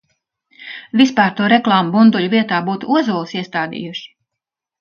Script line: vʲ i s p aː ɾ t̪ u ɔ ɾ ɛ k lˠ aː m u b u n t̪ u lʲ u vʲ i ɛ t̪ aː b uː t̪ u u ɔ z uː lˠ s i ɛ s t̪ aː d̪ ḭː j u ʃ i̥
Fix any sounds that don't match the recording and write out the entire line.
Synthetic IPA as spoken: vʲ i s p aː ɾ t̪ u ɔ ɾ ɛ k lˠ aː m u b u n d̪ u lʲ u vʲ i ɛ t̪ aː b uː t̪ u u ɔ z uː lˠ s i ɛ s t̪ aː d̪ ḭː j u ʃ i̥

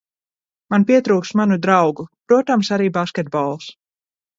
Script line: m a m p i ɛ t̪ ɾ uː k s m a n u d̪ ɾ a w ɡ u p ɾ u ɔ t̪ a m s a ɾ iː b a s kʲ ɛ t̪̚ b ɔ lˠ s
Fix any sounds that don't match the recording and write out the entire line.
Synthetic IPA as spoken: m a n p i ɛ t̪ ɾ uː k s m a n u d̪ ɾ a w ɡ u p ɾ u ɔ t̪ a m s a ɾ iː b a s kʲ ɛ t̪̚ b ɔ lˠ s

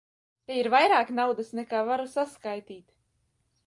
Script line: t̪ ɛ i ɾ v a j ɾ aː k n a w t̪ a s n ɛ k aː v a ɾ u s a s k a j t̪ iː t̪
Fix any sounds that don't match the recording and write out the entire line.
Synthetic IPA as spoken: t̪ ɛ i ɾ v a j ɾ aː k n a w d̪ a s n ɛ k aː v a ɾ u s a s k a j t̪ iː t̪

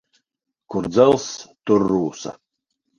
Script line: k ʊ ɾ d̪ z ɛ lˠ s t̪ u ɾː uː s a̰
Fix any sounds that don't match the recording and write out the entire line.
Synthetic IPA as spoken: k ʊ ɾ d̪ z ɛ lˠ s t̪ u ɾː uː s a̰

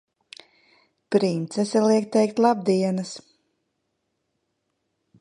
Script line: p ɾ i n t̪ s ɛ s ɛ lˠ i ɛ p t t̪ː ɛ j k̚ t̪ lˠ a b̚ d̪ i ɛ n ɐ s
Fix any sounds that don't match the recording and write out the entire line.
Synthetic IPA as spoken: p ɾ i n t̪ s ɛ s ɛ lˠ i ɛ k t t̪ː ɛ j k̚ t̪ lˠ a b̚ d̪ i ɛ n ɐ s

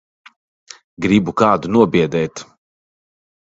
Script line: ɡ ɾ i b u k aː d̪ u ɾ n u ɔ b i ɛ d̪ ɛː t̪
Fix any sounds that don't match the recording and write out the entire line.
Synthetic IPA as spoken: ɡ ɾ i b u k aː d̪ u n u ɔ b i ɛ d̪ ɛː t̪

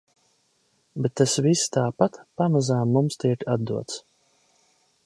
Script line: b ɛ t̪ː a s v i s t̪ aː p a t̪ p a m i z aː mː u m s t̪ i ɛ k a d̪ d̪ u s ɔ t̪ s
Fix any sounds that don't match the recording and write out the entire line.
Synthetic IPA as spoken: b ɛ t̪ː a s v i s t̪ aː p a t̪ p a m a z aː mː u m s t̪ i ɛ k a d̪ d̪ u ɔ t̪ s

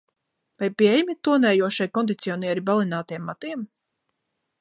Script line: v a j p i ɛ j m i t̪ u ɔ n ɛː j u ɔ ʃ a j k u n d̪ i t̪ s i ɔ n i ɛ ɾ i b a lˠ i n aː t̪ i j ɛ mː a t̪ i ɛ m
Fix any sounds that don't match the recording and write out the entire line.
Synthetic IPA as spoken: v a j p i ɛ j m i t̪ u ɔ n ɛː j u ɔ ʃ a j k ɔ n d̪ i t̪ s i ɔ n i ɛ ɾ i b a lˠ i n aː t̪ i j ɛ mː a t̪ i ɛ m

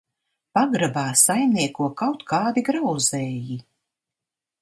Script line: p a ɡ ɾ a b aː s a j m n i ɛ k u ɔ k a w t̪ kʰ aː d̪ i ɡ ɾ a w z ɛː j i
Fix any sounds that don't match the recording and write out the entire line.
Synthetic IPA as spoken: p a ɡ ɾ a b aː s a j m n i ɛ k u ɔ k a w t̪ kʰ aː d̪ i ɡ ɾ a w z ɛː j i

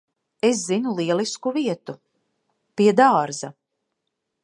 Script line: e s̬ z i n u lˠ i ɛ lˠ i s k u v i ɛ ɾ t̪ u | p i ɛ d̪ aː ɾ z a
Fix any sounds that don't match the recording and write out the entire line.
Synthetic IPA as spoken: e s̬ z i n u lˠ i ɛ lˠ i s k u v i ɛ t̪ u | p i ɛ d̪ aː ɾ z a

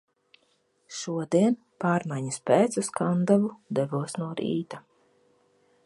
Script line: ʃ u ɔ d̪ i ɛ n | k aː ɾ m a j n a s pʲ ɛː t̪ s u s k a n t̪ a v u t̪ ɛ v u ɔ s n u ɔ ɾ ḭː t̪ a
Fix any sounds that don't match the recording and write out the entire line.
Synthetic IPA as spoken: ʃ u ɔ d̪ i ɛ n | p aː ɾ m a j ɲ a s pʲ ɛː t̪ s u s k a n d̪ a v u d̪ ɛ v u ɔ s n u ɔ ɾ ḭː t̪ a

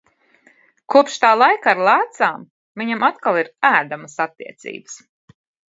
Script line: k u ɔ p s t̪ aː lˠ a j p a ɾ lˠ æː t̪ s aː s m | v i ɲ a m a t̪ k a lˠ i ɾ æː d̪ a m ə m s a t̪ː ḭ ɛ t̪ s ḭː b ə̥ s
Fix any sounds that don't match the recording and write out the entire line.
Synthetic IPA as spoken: k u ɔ p ʃ t̪ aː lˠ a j k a ɾ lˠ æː t̪ s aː m | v i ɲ a m a t̪ k a lˠ i ɾ æː d̪ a m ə s a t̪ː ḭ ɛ t̪ s ḭː b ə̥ s

